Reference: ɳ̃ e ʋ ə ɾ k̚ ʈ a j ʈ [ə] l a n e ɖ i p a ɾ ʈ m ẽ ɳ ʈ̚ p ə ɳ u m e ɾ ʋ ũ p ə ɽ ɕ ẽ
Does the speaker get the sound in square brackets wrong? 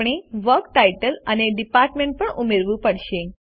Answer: no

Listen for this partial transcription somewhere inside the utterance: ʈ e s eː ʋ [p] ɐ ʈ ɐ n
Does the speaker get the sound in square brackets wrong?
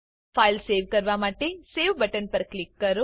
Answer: yes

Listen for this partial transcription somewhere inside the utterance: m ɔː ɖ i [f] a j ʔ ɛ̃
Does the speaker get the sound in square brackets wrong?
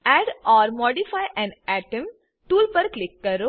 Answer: no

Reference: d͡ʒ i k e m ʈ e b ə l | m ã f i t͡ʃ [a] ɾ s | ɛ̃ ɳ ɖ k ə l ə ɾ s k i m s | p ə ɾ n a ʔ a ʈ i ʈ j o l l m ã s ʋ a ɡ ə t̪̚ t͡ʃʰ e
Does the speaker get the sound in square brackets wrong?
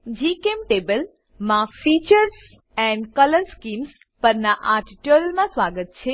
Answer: yes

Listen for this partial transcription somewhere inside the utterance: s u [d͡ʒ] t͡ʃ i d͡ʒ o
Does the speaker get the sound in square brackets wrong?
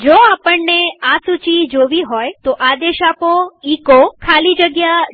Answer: yes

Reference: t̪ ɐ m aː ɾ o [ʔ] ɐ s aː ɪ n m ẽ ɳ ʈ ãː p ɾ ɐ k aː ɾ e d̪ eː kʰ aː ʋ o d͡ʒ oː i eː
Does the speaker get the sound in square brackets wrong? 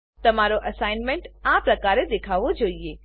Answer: no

